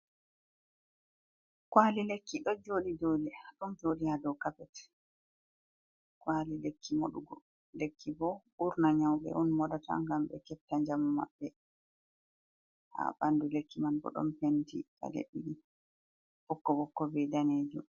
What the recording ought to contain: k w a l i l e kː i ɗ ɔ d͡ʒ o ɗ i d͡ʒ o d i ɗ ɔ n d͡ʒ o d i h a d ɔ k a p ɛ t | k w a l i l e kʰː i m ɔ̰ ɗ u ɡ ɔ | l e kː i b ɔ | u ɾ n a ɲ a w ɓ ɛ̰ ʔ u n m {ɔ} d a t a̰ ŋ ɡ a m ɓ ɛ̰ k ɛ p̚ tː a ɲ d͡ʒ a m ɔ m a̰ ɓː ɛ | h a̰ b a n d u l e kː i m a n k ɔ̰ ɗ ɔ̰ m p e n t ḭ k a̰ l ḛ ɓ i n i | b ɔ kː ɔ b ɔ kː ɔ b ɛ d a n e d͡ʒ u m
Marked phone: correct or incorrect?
correct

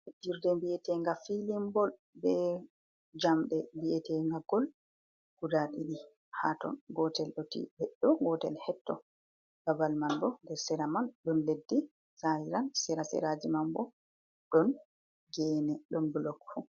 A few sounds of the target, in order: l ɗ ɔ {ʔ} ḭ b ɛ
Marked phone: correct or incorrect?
incorrect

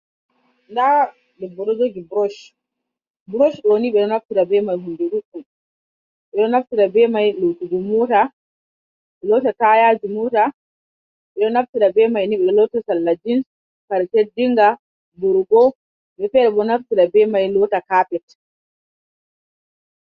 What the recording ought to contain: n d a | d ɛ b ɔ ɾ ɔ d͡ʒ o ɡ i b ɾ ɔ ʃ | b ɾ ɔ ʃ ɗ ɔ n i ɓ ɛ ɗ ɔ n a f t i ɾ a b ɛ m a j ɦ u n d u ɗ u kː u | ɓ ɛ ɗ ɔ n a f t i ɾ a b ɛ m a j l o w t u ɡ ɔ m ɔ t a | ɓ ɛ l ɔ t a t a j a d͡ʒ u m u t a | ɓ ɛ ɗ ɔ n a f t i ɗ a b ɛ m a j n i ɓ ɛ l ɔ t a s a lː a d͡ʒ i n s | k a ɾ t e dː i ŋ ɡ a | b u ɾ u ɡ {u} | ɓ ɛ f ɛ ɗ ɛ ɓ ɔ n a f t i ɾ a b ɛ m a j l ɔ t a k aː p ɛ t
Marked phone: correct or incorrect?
incorrect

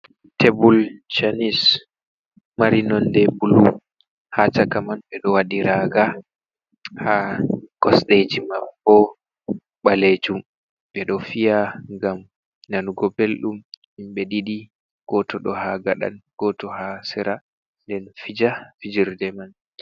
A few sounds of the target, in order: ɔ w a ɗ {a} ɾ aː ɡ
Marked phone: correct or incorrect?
incorrect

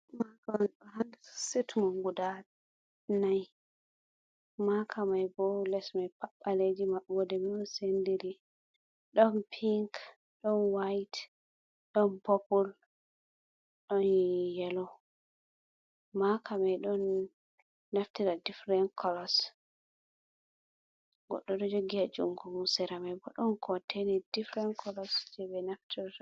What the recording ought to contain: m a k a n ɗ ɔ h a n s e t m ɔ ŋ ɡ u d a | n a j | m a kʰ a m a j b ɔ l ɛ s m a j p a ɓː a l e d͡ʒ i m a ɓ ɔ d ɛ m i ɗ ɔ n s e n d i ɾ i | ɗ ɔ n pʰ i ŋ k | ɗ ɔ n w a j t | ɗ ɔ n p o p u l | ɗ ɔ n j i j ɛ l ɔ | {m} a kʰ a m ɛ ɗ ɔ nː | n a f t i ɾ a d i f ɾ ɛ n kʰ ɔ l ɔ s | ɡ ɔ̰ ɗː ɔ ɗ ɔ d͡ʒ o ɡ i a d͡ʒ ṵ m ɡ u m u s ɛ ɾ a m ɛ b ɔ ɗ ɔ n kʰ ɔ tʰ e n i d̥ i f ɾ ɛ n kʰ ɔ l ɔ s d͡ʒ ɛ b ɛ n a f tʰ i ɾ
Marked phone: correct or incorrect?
correct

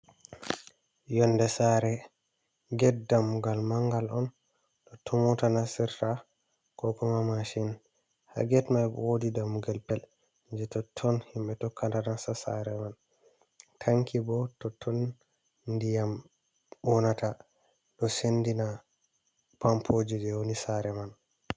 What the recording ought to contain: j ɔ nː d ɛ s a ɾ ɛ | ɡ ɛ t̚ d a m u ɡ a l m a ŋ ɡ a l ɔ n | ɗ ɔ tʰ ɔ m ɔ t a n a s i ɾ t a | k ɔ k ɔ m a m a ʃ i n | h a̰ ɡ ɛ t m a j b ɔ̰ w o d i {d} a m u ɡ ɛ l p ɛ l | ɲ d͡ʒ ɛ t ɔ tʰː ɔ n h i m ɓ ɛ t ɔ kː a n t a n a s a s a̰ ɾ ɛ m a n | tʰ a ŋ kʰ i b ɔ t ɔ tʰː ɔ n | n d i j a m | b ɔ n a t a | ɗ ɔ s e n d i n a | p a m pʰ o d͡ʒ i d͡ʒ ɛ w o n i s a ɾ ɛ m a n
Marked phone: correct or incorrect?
correct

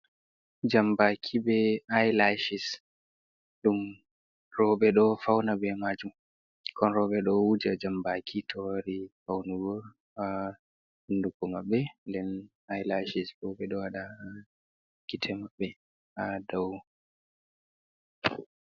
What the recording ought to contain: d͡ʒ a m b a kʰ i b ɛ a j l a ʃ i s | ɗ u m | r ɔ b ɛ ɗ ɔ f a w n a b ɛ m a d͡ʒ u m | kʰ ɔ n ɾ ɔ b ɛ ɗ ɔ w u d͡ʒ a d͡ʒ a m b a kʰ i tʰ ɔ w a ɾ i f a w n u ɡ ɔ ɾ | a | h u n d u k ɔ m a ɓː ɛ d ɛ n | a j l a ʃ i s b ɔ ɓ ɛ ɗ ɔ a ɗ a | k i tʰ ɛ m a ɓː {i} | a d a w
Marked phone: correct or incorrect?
incorrect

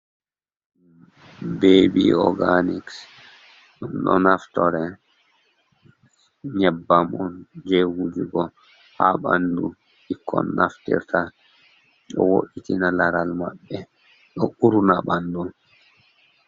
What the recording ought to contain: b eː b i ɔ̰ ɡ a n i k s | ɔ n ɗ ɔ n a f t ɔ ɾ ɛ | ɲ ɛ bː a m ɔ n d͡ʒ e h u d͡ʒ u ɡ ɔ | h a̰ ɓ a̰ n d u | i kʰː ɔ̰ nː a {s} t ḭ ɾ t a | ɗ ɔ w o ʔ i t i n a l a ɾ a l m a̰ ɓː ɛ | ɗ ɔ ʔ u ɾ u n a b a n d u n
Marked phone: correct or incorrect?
incorrect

